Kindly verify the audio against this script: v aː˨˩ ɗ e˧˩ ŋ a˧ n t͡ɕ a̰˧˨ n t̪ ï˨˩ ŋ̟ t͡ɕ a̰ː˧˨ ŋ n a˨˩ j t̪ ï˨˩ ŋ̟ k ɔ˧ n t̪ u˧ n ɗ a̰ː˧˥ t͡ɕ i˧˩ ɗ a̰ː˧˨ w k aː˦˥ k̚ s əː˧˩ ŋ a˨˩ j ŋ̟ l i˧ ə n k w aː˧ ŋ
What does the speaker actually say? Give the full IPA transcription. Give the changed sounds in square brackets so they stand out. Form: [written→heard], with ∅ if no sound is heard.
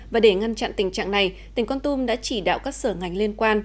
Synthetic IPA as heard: v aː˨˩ ɗ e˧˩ ŋ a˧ n t͡ɕ a̰˧˨ n t̪ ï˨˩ ŋ̟ t͡ɕ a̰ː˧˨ ŋ n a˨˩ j t̪ ï˨˩ ŋ̟ k ɔ˧ n t̪ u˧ [n→m] ɗ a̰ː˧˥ t͡ɕ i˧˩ ɗ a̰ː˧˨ w k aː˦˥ k̚ s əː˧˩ ŋ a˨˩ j ŋ̟ l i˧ ə n k w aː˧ [ŋ→n]